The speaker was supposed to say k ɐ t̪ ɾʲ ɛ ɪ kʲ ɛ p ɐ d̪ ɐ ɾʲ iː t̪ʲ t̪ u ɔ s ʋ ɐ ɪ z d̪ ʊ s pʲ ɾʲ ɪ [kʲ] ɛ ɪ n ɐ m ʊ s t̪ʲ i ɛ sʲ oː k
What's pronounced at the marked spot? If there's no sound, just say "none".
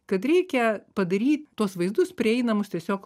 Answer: none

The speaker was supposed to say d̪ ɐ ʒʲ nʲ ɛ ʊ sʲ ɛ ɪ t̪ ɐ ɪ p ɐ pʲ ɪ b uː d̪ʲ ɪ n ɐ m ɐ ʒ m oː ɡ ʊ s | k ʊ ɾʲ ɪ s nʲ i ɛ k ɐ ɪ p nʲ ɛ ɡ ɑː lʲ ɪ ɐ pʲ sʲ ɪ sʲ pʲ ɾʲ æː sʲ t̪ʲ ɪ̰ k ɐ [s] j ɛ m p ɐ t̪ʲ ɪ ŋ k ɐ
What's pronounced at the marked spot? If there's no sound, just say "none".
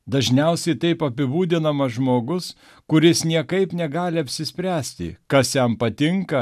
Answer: s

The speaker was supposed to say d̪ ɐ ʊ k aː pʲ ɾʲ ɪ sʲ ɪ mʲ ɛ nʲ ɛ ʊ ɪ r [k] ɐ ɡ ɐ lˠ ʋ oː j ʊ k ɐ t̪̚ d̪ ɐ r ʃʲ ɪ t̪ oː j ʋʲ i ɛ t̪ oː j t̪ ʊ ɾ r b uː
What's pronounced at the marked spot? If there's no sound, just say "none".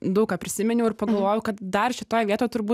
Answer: p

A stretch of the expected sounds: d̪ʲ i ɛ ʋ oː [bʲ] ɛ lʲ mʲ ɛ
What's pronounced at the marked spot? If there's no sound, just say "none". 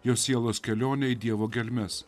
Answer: ɡʲ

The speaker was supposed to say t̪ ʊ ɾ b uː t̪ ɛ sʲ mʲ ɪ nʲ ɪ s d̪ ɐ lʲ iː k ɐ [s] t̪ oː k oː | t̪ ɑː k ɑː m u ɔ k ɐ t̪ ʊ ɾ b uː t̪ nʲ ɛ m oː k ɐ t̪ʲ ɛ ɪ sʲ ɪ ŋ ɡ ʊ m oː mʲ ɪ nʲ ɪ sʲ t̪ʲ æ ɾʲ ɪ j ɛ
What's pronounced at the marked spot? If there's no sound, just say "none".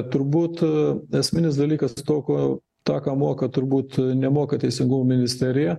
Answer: s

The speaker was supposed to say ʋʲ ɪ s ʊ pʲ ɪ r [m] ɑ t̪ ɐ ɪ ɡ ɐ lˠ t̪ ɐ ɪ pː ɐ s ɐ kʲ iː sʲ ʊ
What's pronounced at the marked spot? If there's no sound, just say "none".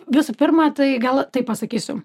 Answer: m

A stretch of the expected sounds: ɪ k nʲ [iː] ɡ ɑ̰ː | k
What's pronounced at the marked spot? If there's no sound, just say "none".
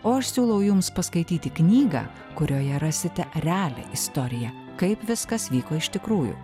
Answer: iː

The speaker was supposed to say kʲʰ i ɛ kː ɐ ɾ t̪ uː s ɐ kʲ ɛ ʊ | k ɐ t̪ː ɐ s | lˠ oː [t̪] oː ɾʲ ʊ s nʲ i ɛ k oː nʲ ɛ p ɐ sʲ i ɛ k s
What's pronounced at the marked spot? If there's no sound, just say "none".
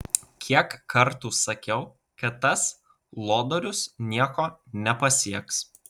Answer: d̪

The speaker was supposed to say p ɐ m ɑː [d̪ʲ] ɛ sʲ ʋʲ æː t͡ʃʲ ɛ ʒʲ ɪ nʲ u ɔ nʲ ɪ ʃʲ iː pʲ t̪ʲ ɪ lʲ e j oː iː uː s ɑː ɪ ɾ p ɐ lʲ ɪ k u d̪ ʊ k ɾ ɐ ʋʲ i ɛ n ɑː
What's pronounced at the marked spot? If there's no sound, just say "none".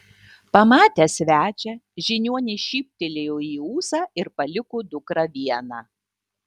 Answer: t̪ʲ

